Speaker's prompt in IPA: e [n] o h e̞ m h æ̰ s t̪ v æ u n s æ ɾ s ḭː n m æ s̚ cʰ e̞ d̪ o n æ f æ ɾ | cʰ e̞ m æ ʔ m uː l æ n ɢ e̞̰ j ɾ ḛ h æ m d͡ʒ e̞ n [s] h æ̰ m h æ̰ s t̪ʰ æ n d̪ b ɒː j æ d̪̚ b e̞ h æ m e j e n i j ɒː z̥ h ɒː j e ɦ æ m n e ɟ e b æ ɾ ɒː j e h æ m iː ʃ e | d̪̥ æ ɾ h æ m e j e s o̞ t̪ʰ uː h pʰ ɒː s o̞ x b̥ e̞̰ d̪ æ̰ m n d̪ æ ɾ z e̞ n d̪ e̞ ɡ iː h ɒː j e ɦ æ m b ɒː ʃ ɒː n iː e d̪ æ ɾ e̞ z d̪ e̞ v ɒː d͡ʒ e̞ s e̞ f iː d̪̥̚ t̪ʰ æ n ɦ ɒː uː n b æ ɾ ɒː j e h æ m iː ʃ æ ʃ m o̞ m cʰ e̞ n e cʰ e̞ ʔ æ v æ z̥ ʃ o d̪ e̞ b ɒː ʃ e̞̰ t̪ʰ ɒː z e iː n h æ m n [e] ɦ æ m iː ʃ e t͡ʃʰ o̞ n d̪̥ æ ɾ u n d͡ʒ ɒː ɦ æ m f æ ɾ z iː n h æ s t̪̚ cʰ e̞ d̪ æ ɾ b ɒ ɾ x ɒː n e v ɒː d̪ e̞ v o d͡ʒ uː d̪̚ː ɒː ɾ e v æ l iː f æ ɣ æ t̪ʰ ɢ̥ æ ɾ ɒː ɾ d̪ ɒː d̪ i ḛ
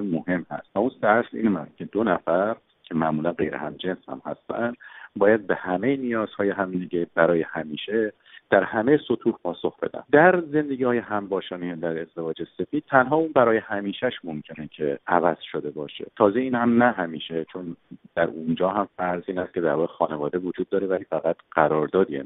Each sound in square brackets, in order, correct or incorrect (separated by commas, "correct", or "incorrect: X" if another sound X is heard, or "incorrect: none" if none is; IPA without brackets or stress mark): incorrect: m, correct, incorrect: æ